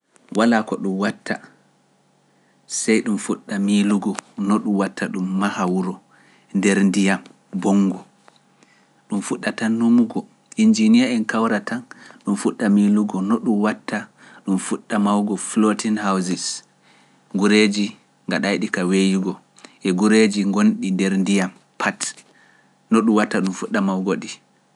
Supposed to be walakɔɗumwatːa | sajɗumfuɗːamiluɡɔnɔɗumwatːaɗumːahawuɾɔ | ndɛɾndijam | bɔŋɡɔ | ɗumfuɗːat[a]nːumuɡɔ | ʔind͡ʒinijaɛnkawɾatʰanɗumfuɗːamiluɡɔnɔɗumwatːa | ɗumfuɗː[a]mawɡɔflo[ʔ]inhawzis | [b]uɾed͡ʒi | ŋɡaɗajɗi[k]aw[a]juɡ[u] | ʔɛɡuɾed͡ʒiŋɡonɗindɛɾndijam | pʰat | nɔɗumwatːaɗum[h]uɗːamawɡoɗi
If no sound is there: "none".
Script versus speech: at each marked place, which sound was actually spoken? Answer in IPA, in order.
a, a, t, ɡ, k, e, ɔ, f

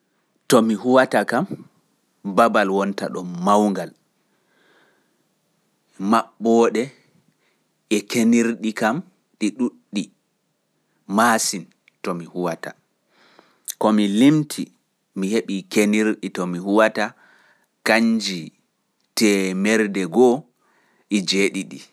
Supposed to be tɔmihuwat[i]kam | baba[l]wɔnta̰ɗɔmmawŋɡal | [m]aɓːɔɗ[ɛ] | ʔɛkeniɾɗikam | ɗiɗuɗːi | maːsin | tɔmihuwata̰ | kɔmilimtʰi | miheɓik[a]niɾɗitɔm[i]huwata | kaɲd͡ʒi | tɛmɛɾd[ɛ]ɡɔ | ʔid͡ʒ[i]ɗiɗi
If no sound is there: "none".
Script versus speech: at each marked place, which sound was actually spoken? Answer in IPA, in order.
a, l, m, ɛ, e, i, ɛ, e

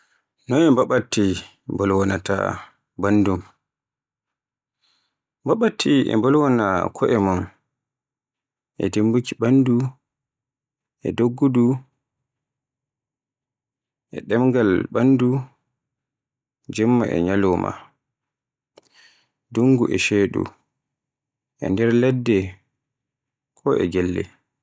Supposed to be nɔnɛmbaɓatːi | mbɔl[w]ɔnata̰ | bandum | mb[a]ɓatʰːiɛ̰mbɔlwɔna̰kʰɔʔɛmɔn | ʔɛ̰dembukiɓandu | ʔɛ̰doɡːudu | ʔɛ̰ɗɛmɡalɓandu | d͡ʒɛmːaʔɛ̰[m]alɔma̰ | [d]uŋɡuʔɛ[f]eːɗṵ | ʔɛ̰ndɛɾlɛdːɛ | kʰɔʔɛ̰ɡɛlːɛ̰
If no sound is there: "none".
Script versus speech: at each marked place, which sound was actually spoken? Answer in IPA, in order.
w, a, ɲ, d, ʃ

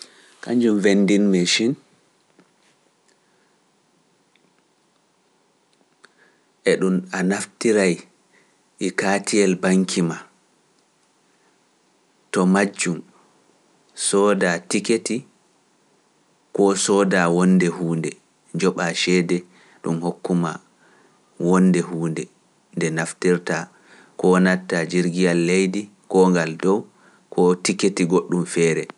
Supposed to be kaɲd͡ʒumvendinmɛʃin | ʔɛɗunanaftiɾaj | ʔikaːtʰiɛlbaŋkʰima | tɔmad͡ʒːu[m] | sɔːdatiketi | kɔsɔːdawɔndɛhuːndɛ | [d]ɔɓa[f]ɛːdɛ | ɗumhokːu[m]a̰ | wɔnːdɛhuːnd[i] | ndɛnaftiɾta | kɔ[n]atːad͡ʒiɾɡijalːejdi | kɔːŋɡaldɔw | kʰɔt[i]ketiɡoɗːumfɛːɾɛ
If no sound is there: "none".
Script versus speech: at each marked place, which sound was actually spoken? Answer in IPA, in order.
m, d͡ʒ, ʃ, m, ɛ, n, i

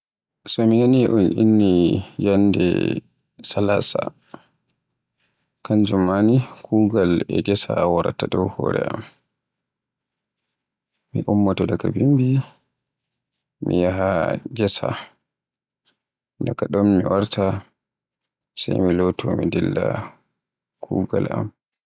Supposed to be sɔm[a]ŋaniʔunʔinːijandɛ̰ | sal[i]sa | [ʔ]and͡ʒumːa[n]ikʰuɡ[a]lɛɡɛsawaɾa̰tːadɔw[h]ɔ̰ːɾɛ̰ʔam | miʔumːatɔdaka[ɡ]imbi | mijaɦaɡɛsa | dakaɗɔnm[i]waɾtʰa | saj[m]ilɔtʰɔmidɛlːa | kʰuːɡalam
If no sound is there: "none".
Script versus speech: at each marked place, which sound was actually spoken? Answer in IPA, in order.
i, a, k, n, a, h, b, i, m

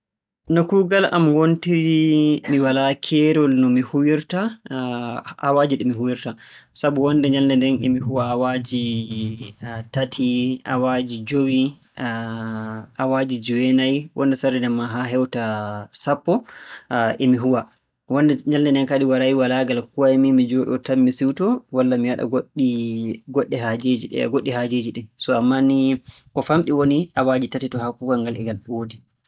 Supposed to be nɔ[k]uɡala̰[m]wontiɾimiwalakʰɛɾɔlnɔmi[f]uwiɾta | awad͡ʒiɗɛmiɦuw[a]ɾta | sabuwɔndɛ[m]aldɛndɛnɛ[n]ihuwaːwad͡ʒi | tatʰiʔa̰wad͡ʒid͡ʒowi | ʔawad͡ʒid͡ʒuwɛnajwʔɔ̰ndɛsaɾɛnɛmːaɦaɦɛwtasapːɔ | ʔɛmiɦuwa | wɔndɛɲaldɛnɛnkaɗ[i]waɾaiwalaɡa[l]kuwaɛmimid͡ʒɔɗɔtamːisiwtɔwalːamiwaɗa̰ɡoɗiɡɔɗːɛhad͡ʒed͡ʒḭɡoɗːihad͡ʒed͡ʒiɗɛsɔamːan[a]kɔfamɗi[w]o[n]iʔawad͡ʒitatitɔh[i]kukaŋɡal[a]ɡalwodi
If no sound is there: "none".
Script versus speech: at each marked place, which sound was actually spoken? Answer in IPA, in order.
k, m, h, i, ɲ, m, i, l, i, w, n, a, ɛ

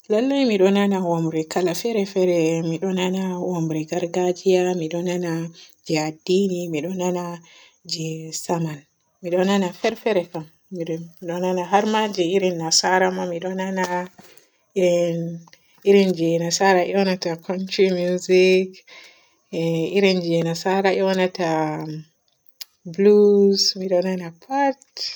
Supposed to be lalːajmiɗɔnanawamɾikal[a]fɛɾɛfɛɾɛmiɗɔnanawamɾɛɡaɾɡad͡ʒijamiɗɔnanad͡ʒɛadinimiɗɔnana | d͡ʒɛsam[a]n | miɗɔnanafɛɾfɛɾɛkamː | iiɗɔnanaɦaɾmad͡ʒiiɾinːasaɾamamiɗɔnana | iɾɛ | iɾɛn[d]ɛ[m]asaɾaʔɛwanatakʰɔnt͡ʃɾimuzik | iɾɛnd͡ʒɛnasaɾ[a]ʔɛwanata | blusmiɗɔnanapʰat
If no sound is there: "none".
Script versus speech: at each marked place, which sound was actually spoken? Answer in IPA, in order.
a, a, d͡ʒ, n, a

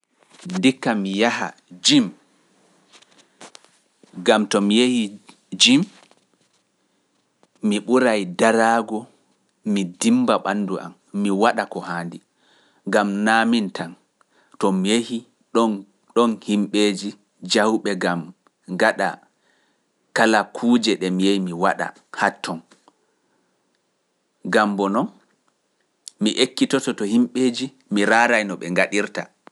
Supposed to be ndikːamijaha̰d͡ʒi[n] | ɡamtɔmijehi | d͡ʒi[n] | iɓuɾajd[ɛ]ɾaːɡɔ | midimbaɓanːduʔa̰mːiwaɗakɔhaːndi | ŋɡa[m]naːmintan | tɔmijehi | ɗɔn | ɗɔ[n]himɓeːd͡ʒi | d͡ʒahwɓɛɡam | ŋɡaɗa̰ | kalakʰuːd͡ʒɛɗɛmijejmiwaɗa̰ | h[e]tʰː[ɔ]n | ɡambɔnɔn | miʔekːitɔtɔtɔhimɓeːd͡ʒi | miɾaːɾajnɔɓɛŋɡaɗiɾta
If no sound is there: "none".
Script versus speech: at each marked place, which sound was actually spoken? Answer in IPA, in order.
m, m, a, m, n, a, ɔ

